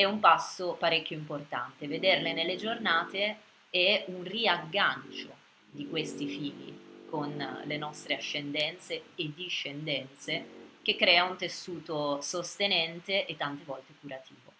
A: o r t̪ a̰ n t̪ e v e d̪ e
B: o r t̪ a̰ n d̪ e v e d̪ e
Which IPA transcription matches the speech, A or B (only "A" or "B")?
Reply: A